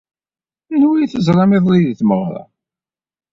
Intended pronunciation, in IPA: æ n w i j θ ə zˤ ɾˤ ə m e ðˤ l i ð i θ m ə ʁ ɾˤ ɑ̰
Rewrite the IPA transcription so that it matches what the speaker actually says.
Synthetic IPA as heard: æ n w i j θ ə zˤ ɾˤ ɑ m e ðˤ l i ð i θ m ə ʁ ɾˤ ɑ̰